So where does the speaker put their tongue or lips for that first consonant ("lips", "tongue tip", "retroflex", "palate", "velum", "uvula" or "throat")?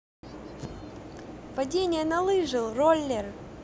lips